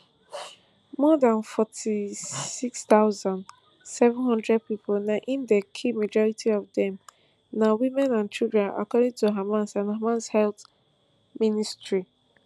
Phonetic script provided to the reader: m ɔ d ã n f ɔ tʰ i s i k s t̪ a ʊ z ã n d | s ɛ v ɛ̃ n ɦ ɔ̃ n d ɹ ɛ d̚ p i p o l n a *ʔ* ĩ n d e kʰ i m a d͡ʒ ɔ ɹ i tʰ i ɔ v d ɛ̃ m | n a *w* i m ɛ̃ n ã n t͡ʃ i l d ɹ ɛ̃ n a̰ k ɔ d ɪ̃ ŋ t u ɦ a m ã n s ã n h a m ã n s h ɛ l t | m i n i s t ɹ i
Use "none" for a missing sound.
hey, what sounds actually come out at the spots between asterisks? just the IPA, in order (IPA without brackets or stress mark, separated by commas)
ʔ, w